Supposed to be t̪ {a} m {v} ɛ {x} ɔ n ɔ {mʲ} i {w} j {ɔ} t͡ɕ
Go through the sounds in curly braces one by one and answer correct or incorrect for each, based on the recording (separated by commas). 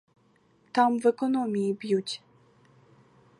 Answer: correct, correct, incorrect, correct, incorrect, incorrect